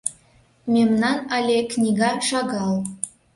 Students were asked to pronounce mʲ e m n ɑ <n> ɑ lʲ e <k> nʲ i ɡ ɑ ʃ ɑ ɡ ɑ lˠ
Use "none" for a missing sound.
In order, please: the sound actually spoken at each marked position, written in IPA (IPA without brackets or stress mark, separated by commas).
n, k